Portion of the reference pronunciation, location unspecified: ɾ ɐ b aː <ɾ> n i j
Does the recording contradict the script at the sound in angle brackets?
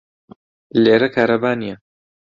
yes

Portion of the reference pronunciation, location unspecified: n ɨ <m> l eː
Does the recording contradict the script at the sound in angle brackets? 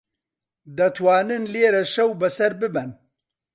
yes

